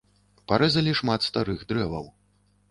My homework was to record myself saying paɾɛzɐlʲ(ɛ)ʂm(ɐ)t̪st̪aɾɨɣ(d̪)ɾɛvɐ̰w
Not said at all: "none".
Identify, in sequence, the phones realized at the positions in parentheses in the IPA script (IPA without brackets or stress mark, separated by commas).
i, a, d̪